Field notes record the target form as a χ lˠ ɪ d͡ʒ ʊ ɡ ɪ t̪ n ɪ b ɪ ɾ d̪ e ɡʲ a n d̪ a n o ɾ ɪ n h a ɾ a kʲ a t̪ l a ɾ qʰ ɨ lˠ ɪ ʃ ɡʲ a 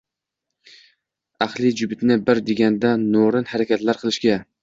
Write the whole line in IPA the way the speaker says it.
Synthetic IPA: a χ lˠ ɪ d͡ʒ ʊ b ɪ t̪ n ɪ b ɪ ɾ d̪ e ɡʲ a n d̪ a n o ɾ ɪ n h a ɾ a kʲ a t̪ l a ɾ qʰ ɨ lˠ ɪ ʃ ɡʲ a